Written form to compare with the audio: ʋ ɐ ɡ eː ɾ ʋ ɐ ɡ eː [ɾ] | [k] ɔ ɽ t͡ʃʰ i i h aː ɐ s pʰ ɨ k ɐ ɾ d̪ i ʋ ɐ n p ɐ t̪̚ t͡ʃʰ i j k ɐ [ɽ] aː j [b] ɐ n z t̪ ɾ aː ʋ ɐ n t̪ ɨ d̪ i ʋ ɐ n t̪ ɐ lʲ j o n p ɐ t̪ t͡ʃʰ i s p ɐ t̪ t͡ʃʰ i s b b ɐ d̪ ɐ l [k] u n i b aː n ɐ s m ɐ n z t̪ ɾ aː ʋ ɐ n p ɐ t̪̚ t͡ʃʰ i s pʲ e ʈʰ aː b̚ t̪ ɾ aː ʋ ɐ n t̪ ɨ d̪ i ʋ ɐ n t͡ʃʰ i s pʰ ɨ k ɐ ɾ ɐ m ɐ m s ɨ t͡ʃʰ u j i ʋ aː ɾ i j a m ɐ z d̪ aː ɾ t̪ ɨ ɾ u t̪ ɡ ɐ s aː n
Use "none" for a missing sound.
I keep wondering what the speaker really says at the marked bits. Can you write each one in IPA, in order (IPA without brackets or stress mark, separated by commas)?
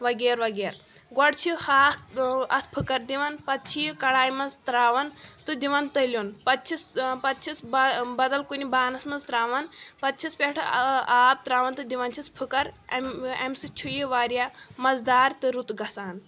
ɾ, ɡ, ɽ, m, k